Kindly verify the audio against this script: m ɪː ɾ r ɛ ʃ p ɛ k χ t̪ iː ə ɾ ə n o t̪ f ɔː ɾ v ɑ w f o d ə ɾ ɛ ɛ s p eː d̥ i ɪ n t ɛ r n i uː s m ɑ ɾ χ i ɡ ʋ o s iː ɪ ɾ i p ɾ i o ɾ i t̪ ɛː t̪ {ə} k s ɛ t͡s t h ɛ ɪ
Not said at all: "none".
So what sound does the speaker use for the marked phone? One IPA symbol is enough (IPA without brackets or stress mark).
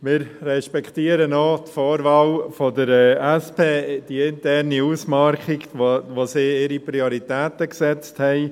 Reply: ə